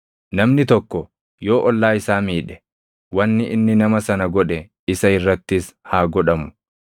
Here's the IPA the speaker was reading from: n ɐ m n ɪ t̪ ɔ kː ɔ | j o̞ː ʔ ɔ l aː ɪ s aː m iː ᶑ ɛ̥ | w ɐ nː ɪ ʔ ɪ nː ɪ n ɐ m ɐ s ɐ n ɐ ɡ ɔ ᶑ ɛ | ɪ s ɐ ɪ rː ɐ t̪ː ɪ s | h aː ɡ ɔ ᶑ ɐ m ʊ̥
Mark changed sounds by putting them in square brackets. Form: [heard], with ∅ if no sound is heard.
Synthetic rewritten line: n ɐ m n ɪ t̪ ɔ kː ɔ | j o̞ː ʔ ɔ [lː] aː ɪ s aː m iː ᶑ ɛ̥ | w ɐ nː ɪ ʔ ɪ nː ɪ n ɐ m ɐ s ɐ n ɐ ɡ ɔ ᶑ ɛ | ɪ s ɐ ɪ rː ɐ t̪ː ɪ s | h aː ɡ ɔ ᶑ ɐ m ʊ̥